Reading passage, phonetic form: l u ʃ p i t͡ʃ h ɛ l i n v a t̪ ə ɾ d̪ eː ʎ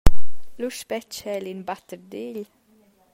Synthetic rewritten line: l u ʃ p ɛ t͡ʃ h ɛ l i n b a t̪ ə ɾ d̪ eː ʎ

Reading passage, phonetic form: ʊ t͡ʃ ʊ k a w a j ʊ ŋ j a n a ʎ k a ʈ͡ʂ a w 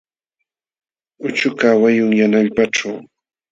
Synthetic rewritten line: ʊ t͡ʃ ʊ k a w a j ʊ ŋ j a n a ʎ p a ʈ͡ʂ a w

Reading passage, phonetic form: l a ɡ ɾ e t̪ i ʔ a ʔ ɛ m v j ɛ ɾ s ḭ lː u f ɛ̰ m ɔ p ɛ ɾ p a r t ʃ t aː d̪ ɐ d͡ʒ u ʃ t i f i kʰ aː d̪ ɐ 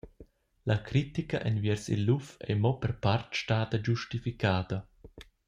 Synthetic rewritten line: l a k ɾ i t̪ i k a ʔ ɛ n v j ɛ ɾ s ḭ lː u f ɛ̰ m ɔ p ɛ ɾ p a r t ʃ t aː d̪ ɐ d͡ʒ u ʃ t i f i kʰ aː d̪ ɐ

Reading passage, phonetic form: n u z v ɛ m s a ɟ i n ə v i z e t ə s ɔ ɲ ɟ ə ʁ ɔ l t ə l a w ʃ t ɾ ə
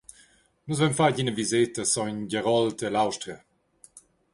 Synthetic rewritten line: n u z v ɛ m f a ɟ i n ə v i z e t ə s ɔ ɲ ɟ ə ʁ ɔ l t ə l a w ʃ t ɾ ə

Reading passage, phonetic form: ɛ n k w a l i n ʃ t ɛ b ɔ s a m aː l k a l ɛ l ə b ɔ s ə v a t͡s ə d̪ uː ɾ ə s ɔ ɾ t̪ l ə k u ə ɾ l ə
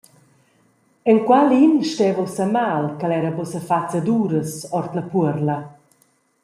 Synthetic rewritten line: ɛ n k w a l i n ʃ t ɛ v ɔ s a m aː l k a l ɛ ɾ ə b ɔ s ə f a t͡s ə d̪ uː ɾ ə s ɔ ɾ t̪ l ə p u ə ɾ l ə

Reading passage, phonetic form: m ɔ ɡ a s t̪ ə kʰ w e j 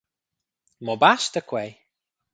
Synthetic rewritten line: m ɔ b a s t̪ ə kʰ w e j

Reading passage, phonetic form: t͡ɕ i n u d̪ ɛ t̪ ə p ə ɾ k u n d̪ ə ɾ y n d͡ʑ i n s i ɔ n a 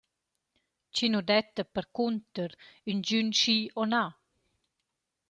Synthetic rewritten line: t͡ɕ i n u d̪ ɛ t̪ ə p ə ɾ k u n t̪ ə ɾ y n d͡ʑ y n ʃ i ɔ n a

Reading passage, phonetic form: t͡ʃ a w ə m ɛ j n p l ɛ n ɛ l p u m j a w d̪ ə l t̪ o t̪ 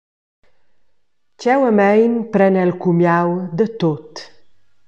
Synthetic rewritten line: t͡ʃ ɛ w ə m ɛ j n p ɾ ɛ n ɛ l k u m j a w d̪ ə t̪ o t̪

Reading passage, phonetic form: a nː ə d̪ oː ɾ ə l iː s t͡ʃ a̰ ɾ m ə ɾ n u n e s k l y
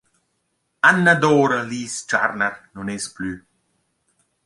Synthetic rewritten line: a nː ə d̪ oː ɾ ə l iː s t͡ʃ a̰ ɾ n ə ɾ n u n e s p l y

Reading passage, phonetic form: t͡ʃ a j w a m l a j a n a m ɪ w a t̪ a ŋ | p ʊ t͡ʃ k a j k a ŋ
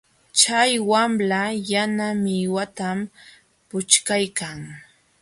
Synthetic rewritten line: t͡ʃ a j w a m l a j a n a m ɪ w a t̪ a m | p ʊ t͡ʃ k a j k a ŋ

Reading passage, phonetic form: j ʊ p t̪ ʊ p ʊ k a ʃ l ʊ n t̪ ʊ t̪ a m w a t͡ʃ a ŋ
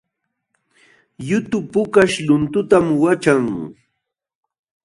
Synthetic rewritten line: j ʊ t̪ ʊ p ʊ k a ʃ l ʊ n t̪ ʊ t̪ a m w a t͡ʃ a ŋ

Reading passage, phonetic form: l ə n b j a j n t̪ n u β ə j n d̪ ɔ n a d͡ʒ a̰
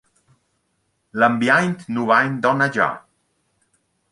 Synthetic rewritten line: l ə m b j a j n t̪ n u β a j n d̪ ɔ n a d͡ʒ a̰

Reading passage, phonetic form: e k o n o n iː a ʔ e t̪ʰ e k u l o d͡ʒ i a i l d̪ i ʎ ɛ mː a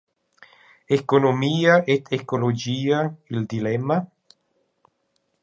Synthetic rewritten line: e k o n o m iː a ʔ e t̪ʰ e k o l o d͡ʒ iː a i l d̪ i l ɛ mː a

